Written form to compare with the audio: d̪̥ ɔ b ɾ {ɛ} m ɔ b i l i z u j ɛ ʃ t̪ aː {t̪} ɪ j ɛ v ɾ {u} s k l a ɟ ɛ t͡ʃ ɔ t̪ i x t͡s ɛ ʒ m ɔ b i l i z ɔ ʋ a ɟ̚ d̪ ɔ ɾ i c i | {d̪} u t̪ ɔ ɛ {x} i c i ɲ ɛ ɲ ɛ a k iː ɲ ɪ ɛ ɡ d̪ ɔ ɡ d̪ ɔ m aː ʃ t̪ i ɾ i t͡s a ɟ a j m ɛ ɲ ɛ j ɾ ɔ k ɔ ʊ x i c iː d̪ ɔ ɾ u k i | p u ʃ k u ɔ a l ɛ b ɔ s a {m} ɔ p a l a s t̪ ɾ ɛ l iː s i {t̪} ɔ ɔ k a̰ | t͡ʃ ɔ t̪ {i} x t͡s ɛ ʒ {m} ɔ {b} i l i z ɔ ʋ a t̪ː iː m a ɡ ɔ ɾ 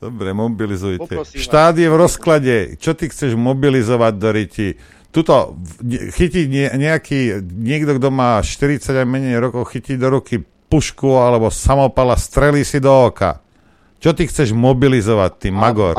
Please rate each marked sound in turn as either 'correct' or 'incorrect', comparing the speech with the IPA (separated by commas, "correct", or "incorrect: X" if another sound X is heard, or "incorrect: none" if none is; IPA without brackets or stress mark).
correct, incorrect: d̪, incorrect: ɔ, incorrect: t̪, correct, correct, incorrect: d̪, correct, correct, correct